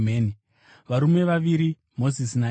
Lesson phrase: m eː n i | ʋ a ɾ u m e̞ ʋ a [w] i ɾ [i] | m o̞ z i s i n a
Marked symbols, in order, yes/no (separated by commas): no, yes